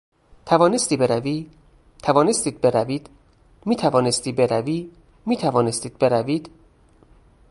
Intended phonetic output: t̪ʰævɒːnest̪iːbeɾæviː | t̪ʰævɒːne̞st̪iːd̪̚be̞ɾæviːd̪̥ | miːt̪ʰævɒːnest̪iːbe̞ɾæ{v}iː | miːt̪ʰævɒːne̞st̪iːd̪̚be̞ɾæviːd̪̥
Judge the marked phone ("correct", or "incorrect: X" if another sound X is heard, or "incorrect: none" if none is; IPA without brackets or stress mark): correct